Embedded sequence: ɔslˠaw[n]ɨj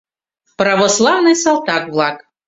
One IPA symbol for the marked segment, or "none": n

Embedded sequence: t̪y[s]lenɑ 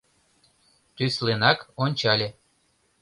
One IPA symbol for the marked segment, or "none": s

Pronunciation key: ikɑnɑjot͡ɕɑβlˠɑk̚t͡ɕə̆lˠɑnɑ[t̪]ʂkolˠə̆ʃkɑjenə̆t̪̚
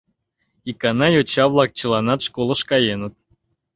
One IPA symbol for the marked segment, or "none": t̪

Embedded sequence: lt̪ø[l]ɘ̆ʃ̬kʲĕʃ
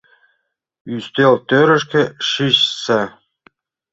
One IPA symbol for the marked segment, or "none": ɾ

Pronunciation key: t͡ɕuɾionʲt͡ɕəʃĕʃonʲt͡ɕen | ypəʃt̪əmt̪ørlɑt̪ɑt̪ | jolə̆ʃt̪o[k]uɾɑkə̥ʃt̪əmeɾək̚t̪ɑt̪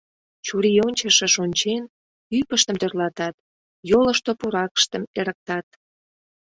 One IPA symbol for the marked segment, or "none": p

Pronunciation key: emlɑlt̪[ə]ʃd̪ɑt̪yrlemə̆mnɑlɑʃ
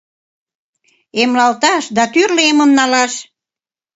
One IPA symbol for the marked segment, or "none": ɑ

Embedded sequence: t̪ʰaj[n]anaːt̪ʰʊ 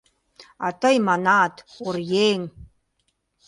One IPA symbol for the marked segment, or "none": m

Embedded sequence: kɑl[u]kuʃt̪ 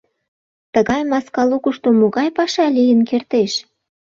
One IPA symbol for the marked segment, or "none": u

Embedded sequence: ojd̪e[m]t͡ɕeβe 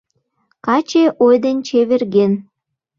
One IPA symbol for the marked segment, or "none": n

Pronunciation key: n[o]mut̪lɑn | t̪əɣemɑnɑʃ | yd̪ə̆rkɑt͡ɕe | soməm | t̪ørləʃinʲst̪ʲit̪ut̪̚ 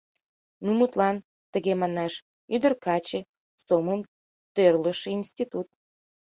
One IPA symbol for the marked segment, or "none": u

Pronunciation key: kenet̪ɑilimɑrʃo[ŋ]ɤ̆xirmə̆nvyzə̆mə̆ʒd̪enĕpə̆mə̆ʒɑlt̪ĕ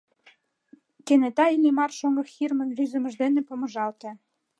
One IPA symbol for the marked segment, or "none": ŋ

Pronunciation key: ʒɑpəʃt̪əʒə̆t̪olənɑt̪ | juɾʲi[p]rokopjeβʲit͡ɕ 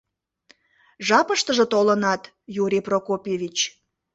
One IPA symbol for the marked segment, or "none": p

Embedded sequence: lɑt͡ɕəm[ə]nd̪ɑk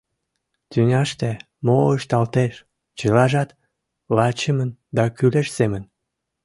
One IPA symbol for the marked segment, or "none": ə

